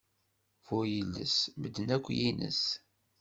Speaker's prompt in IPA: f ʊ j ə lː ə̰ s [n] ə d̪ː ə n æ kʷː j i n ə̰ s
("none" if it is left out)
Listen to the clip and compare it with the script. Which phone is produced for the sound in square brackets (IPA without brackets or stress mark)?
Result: m